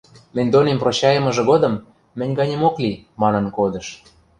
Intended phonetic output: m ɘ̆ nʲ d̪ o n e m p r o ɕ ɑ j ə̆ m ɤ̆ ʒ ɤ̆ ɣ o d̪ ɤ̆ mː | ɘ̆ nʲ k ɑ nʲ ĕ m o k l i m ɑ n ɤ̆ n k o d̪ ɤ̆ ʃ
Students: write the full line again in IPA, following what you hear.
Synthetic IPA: m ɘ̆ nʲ d̪ o n e m p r o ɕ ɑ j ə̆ m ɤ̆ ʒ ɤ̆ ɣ o d̪ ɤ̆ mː | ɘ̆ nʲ ɡ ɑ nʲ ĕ m o k l i m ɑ n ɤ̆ n k o d̪ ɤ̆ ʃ